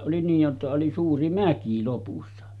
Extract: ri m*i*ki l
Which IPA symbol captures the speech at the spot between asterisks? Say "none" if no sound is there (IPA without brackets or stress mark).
æ